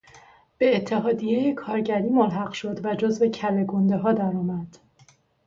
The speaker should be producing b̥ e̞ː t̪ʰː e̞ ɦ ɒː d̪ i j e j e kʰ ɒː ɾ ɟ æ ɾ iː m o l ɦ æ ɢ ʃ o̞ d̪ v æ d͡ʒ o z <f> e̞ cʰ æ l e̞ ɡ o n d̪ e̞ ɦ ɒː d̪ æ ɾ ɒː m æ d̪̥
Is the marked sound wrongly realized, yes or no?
yes